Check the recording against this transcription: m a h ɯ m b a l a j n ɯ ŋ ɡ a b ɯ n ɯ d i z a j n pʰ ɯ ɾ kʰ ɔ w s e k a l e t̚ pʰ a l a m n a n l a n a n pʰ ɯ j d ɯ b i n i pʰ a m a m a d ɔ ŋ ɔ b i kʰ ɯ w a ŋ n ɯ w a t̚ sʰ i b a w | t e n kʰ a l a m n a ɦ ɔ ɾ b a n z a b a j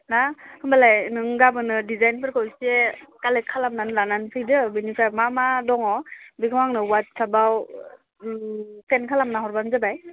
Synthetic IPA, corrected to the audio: n a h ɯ m b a l a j n ɯ ŋ ɡ a b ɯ n ɯ d i z a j n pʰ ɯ ɾ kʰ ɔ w s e k a l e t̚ kʰ a l a m n a n l a n a n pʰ ɯ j d ɯ b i n i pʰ a m a m a d ɔ ŋ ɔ b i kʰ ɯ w a ŋ n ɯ w a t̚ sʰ a b a w | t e n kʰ a l a m n a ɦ ɔ ɾ b a n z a b a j